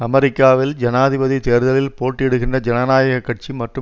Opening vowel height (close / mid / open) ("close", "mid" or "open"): open